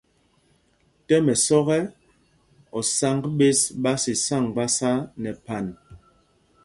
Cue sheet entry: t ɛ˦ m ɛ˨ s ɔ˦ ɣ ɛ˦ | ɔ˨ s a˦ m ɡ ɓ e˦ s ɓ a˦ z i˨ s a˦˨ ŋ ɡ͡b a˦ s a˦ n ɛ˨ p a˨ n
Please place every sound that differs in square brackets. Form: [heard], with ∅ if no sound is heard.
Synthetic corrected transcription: t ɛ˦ m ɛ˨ s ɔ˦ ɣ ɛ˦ | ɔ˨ s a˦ [ŋ] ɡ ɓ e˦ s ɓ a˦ [s] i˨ s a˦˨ ŋ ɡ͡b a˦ s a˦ n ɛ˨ p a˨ n